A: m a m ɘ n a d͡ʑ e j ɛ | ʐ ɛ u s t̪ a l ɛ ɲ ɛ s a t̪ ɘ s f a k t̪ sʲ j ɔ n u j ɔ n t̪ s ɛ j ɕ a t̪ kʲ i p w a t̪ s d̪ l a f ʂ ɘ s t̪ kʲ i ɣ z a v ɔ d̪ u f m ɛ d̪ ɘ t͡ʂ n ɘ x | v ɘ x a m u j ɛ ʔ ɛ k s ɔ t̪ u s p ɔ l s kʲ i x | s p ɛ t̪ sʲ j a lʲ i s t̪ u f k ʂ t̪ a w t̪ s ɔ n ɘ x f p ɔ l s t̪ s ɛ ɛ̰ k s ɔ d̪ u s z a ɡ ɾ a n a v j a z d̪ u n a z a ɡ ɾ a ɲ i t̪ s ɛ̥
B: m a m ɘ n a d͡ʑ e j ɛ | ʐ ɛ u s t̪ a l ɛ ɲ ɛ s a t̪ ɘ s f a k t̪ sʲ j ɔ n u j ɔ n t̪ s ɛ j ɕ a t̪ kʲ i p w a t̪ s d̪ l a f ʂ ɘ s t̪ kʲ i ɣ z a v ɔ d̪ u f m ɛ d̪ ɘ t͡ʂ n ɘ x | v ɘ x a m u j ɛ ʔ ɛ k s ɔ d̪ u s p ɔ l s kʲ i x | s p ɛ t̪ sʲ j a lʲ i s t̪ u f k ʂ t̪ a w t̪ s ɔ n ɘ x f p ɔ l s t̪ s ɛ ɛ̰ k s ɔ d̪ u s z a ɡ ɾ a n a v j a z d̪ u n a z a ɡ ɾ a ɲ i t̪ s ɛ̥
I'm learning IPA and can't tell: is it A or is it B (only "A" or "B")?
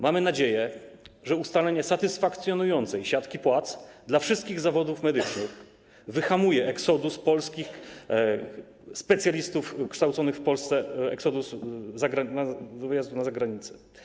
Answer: B